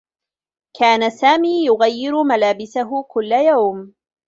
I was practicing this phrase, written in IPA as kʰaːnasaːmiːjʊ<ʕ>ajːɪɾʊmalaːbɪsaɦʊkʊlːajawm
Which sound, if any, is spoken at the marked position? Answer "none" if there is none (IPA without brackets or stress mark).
ɣ